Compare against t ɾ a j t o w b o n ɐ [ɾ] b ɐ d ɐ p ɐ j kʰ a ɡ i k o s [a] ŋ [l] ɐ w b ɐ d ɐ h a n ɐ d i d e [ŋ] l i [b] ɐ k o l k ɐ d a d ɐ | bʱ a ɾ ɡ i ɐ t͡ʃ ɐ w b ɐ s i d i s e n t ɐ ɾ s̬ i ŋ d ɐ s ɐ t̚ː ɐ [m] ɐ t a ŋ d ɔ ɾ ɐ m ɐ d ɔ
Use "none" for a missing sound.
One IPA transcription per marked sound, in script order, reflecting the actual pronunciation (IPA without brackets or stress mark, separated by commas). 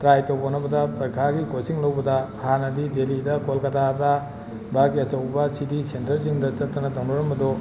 none, i, l, none, d, n